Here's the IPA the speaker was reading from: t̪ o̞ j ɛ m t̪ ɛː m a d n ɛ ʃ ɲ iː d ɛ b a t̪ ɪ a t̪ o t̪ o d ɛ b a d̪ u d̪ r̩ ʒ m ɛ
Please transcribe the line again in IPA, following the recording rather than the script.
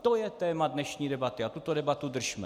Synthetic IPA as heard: t̪ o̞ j ɛ t̪ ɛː m a d n ɛ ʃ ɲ iː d ɛ b a t̪ ɪ a t̪ u t̪ o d ɛ b a t̪ u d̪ r̩ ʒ m ɛ